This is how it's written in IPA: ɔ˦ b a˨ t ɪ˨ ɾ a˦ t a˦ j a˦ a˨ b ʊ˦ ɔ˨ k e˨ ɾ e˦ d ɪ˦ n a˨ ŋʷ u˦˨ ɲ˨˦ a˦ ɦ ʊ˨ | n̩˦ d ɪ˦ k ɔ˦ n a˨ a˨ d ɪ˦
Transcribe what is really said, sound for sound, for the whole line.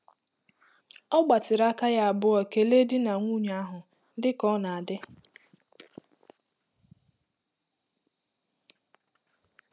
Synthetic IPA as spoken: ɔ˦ ɡ͡b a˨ t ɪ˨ ɾ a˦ k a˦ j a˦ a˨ b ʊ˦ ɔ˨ k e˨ l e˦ d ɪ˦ n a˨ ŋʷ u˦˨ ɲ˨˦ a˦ ɦ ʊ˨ | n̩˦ d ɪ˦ k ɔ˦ n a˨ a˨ d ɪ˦